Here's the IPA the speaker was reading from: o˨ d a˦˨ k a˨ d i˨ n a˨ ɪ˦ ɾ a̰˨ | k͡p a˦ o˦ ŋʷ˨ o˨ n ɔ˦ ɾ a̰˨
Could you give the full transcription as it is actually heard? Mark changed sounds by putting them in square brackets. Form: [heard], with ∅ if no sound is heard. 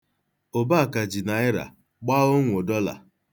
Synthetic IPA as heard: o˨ [b] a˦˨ k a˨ [d͡ʒ] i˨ n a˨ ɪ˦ ɾ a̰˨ | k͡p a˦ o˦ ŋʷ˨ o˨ [d] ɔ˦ [l] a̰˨